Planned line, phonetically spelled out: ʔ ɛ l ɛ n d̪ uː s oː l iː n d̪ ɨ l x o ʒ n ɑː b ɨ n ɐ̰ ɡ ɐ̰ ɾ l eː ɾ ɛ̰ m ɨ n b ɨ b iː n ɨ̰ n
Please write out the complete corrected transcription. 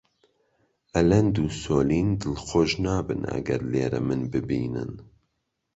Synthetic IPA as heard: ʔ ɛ l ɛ n d̪ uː s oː l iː n d̪ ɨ l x o ʒ n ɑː b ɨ n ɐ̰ ɡ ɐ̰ ɾ l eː ɾ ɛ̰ m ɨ n b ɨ b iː n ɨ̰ n